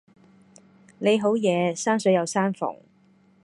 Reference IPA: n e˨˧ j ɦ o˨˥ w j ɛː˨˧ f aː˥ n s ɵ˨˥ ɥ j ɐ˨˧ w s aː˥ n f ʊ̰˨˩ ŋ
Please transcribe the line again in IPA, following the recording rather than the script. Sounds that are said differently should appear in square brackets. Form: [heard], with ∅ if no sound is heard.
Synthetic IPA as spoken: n e˨˧ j ɦ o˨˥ w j ɛː˨˧ [s] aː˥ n s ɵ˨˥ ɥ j ɐ˨˧ w s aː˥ n f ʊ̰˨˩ ŋ